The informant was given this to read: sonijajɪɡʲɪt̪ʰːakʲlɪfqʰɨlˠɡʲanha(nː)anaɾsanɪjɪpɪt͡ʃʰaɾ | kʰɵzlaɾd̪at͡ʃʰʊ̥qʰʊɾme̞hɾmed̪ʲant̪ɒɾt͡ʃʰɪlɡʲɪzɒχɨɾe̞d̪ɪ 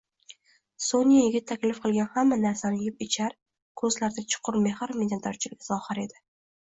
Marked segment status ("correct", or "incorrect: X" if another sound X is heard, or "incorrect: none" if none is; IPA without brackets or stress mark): incorrect: mː